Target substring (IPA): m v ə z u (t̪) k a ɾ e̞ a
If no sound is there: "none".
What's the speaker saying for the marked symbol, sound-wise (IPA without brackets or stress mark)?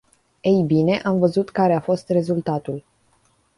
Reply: t̪